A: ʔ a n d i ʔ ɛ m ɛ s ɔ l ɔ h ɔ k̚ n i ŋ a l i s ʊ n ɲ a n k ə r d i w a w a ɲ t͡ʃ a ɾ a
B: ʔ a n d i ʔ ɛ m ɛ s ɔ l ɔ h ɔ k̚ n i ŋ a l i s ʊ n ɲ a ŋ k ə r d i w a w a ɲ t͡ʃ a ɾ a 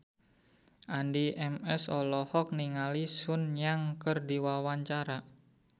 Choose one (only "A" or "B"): B